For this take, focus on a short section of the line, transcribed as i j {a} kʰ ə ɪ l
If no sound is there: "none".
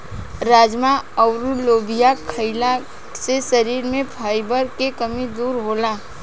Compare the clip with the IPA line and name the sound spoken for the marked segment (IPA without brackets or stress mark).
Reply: a